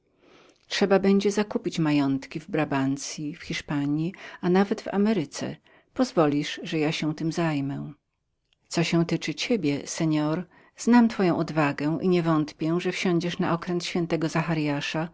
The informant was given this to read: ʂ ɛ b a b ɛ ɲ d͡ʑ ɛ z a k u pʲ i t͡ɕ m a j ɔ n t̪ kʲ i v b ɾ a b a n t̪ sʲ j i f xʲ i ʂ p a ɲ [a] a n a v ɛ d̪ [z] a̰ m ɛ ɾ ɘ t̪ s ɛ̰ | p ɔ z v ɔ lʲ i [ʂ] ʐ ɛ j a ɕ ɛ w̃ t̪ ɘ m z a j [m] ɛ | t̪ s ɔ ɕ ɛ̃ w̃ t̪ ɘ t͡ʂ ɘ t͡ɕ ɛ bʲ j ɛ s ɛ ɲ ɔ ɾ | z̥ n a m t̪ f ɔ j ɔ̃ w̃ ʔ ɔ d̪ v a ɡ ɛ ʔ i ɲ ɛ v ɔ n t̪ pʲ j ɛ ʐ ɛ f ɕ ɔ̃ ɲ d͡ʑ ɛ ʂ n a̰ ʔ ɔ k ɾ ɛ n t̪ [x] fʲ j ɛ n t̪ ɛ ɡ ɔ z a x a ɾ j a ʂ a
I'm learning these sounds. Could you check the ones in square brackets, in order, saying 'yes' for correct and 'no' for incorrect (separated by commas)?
no, no, yes, yes, no